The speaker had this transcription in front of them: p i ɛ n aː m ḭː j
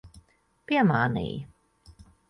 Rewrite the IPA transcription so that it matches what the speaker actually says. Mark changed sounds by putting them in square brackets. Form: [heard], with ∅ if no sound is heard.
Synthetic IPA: p i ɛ [m] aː [n] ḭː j